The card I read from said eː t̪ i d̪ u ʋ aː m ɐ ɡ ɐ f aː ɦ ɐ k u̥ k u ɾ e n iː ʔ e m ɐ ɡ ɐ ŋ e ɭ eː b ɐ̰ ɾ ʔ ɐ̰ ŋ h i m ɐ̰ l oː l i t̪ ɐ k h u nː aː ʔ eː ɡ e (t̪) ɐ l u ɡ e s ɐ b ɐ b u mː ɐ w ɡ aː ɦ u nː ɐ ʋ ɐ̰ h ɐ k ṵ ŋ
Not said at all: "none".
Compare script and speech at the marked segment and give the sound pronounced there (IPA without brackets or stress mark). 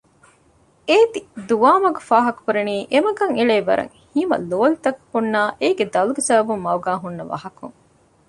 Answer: d̪